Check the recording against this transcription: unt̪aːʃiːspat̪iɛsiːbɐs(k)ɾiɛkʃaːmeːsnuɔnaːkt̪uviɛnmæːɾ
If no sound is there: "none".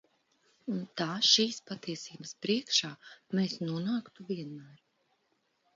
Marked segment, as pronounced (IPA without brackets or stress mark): p